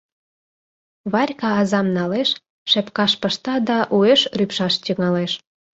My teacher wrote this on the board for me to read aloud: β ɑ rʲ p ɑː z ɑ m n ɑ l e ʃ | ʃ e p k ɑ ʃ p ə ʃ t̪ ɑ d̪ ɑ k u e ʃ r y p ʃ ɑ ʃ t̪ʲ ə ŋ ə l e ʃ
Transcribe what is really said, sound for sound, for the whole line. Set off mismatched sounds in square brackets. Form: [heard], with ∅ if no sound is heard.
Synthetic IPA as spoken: β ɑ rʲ [k] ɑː z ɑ m n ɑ l e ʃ | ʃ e p k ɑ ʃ p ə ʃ t̪ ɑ d̪ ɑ [ʔ] u e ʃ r y p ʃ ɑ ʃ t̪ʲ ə ŋ [ɑ] l e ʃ